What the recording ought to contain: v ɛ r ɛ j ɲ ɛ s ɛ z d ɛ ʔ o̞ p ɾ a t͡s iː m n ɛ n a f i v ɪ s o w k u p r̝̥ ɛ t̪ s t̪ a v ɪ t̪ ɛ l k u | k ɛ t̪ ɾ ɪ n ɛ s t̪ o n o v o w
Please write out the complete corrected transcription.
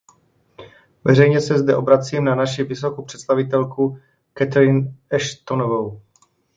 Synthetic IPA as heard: v ɛ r ɛ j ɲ ɛ s ɛ z d ɛ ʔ o̞ b ɾ a t͡s iː m n a n a ʃ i v ɪ s o k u p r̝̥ ɛ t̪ s t̪ a v ɪ t̪ ɛ l k u | k ɛ t̪ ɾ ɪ n ɛ ʃ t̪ o n o v o w